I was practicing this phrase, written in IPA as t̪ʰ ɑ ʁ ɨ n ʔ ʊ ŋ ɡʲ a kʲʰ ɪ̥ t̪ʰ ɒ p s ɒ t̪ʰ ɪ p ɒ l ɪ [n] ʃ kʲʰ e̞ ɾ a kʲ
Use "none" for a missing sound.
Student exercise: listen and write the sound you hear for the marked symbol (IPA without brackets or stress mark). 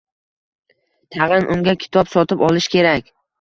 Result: none